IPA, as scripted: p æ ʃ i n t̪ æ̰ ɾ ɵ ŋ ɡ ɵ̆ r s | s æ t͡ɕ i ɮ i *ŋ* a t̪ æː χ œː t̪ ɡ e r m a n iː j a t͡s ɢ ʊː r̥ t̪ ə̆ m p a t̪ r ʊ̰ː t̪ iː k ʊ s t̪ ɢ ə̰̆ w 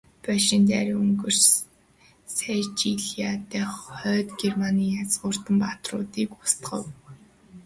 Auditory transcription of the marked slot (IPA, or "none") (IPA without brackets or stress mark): none